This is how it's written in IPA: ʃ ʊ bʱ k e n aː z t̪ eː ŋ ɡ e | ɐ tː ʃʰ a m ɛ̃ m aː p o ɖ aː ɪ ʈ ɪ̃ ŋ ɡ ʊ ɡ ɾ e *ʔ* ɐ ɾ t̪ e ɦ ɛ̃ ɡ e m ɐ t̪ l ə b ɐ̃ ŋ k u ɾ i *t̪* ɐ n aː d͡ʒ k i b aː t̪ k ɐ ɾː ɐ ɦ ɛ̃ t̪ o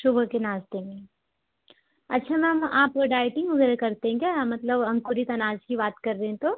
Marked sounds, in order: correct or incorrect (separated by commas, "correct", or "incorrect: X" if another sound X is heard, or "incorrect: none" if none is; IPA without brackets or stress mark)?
incorrect: k, correct